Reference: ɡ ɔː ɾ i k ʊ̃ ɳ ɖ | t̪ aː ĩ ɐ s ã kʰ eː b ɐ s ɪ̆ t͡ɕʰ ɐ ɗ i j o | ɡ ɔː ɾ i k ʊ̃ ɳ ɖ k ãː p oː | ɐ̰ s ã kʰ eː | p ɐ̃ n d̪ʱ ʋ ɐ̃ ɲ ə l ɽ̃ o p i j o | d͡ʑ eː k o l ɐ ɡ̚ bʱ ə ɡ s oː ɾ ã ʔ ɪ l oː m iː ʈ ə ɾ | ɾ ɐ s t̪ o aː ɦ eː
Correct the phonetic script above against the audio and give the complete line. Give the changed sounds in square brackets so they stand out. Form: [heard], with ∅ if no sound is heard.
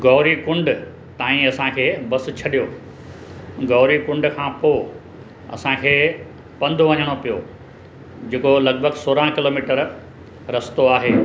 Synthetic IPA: ɡ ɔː ɾ i k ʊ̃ ɳ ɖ | t̪ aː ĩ ɐ s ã kʰ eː b ɐ s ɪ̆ t͡ɕʰ ɐ ɗ i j o | ɡ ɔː ɾ i k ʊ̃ ɳ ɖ [kʰ] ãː p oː | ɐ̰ s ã kʰ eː | p ɐ̃ n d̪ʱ ʋ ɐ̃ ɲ ə [∅] ɽ̃ o p i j o | d͡ʑ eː k o l ɐ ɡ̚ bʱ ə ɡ s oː ɾ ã [k] ɪ l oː m iː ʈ ə ɾ | ɾ ɐ s t̪ o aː ɦ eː

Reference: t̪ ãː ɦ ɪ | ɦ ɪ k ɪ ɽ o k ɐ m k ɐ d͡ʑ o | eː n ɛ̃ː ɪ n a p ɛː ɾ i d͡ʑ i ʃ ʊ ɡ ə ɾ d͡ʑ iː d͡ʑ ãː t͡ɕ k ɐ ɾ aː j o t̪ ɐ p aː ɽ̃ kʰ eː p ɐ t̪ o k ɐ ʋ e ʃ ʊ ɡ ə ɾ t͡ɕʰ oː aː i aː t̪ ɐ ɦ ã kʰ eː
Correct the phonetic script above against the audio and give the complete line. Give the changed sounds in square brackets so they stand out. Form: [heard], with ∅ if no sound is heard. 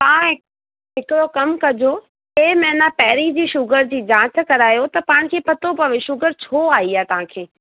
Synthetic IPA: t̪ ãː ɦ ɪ | ɦ ɪ k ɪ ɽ o k ɐ m k ɐ d͡ʑ o | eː [m] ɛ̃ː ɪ n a p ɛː ɾ i d͡ʑ [iː] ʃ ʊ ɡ ə ɾ d͡ʑ iː d͡ʑ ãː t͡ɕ k ɐ ɾ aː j o t̪ ɐ p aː ɽ̃ kʰ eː p ɐ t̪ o [p] ɐ ʋ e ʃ ʊ ɡ ə ɾ t͡ɕʰ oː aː i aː t̪ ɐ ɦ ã kʰ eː

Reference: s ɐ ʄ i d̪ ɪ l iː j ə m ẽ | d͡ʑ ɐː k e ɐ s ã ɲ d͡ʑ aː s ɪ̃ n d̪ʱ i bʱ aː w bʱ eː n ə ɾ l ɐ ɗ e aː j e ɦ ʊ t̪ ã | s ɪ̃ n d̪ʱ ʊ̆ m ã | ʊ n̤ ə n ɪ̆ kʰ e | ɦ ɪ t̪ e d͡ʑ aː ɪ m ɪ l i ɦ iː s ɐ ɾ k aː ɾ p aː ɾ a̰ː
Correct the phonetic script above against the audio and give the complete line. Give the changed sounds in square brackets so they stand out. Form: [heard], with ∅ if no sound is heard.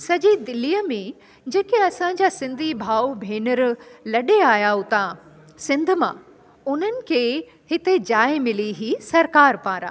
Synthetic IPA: s ɐ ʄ i d̪ ɪ l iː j ə m ẽ | d͡ʑ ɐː k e ɐ s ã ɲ d͡ʑ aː s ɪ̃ n d̪ʱ i bʱ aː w bʱ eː n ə ɾ l ɐ ɗ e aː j [a] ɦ ʊ t̪ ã | s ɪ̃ n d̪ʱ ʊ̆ m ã | ʊ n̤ ə n ɪ̆ kʰ e | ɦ ɪ t̪ e d͡ʑ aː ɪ m ɪ l i ɦ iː s ɐ ɾ k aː ɾ p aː ɾ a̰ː

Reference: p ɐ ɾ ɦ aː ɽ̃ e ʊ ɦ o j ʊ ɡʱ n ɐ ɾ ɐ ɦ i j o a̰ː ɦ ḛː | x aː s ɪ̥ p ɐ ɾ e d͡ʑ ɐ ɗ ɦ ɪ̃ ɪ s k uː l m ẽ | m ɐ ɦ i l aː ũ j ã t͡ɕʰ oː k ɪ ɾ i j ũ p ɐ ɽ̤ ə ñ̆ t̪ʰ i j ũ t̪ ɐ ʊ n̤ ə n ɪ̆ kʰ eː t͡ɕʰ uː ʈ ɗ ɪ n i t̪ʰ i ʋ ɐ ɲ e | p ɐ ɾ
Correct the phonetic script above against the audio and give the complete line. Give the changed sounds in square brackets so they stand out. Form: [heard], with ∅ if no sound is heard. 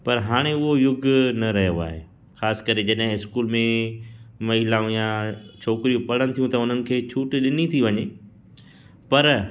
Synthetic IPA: p ɐ ɾ ɦ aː ɽ̃ e ʊ ɦ o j ʊ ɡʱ n ɐ ɾ ɐ ɦ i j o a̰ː ɦ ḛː | x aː s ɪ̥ [k] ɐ ɾ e d͡ʑ ɐ ɗ ɦ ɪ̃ ɪ s k uː l m ẽ | m ɐ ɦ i l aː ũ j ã t͡ɕʰ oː k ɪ ɾ i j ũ p ɐ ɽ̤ ə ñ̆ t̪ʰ i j ũ t̪ ɐ ʊ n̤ ə n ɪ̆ kʰ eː t͡ɕʰ uː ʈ ɗ ɪ n i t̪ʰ i ʋ ɐ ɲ e | p ɐ ɾ

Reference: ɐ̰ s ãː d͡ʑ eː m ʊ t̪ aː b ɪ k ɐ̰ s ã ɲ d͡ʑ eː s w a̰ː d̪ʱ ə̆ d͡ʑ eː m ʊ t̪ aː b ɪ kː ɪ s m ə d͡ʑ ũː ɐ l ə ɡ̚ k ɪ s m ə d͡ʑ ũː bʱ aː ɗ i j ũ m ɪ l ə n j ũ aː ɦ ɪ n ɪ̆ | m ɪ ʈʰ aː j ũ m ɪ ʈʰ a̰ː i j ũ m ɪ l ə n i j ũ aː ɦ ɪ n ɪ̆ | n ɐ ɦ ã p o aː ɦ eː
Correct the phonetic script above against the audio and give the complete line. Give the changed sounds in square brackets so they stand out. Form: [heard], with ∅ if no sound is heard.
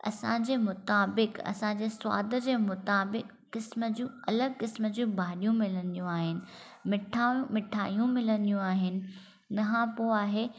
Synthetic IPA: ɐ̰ s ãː d͡ʑ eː m ʊ t̪ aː b ɪ k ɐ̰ s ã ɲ d͡ʑ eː s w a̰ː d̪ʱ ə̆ d͡ʑ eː m ʊ t̪ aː b ɪ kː ɪ s m ə d͡ʑ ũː ɐ l ə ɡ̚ k ɪ s m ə d͡ʑ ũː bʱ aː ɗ i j ũ m ɪ l ə n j ũ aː ɦ ɪ n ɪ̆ | m ɪ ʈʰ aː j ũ m ɪ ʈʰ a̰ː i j ũ m ɪ l ə n i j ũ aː ɦ ɪ n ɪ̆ | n ɐ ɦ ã p o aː ɦ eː

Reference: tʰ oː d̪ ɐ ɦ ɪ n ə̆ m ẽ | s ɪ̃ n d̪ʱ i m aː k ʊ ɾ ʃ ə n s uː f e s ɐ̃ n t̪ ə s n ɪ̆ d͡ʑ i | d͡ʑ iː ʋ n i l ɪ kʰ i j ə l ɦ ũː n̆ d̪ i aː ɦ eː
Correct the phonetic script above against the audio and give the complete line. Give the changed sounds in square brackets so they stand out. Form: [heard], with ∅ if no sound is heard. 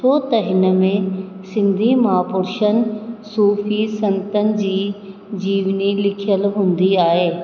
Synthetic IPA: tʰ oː [t̪] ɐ ɦ ɪ n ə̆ m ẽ | s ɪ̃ n d̪ʱ i m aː [p] ʊ ɾ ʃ ə n s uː f [i] s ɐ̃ n t̪ ə [∅] n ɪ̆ d͡ʑ [iː] | d͡ʑ iː ʋ n i l ɪ kʰ i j ə l ɦ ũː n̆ d̪ i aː ɦ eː

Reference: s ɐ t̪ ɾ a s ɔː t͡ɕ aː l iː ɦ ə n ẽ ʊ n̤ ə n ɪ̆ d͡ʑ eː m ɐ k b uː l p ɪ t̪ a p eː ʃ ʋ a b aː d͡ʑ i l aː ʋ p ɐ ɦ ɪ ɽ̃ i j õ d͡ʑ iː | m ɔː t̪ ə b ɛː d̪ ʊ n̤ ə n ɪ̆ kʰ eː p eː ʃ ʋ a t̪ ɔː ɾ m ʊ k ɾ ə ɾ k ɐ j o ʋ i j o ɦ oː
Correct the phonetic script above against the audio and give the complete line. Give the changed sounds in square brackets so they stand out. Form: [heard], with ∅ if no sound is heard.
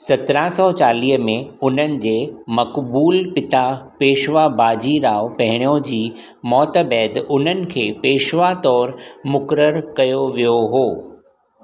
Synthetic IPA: s ɐ t̪ ɾ a s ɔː t͡ɕ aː l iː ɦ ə [m] ẽ ʊ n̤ ə n ɪ̆ d͡ʑ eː m ɐ k b uː l p ɪ t̪ a p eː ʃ ʋ a b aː d͡ʑ i [ɾ] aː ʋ p ɐ ɦ ɪ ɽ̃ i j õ d͡ʑ iː | m ɔː t̪ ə b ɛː d̪ ʊ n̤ ə n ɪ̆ kʰ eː p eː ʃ ʋ a t̪ ɔː ɾ m ʊ k ɾ ə ɾ k ɐ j o ʋ i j o ɦ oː

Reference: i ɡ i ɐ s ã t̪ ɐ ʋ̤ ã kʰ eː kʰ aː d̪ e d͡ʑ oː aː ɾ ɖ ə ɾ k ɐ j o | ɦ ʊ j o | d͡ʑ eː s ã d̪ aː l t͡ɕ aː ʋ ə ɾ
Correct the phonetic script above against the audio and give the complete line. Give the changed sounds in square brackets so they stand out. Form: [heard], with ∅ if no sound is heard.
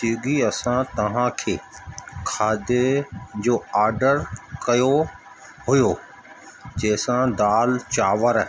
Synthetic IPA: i ɡ i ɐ s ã t̪ ɐ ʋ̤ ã kʰ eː kʰ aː d̪ e d͡ʑ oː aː ɾ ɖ ə ɾ k ɐ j o | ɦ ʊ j o | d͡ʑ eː s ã d̪ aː l t͡ɕ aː ʋ ə ɾ

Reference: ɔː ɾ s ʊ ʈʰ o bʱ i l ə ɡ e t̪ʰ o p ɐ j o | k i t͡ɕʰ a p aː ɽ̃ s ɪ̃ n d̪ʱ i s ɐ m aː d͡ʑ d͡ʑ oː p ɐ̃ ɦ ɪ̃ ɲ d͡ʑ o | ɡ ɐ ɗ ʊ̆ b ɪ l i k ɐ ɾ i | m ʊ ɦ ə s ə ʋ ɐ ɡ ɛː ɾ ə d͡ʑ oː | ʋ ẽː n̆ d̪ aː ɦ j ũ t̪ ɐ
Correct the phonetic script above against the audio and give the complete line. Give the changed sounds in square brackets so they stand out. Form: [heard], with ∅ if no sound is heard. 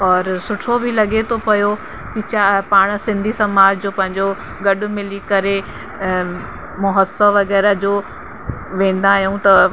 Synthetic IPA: ɔː ɾ s ʊ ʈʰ o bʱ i l [ɐ] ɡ e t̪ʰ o p ɐ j o | k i [t͡ɕ] a p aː ɽ̃ s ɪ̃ n d̪ʱ i s ɐ m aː d͡ʑ d͡ʑ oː p ɐ̃ ɦ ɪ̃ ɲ d͡ʑ o | ɡ ɐ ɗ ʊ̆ [m] ɪ l i k ɐ ɾ [e] | m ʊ ɦ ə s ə ʋ ɐ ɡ ɛː ɾ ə d͡ʑ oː | ʋ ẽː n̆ d̪ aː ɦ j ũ t̪ ɐ

